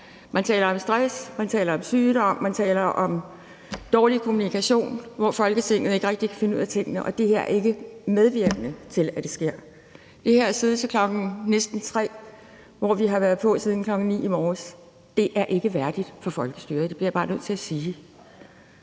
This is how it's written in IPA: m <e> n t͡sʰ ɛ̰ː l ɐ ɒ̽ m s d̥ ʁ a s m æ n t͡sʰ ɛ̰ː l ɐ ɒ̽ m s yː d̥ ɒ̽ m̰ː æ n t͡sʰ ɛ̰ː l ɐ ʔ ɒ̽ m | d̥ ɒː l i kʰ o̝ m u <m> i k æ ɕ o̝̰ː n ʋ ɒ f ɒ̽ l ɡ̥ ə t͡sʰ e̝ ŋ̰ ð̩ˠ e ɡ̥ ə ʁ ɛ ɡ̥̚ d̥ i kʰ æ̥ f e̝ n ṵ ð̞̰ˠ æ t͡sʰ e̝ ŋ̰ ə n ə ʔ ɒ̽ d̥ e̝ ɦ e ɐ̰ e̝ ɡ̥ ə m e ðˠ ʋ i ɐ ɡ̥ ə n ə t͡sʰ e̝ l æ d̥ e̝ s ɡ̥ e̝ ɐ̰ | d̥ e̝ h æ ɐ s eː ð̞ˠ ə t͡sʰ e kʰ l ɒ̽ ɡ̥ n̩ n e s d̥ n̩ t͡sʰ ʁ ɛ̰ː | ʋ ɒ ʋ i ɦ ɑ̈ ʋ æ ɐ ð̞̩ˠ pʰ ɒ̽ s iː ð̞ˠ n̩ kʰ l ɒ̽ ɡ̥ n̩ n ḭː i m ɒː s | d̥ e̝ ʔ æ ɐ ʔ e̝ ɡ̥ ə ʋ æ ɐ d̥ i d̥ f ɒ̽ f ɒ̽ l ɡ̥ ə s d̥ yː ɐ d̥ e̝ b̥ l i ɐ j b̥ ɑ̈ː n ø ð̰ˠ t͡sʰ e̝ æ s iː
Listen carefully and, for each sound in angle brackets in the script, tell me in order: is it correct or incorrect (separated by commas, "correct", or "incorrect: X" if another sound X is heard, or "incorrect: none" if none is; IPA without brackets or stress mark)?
incorrect: æ, incorrect: n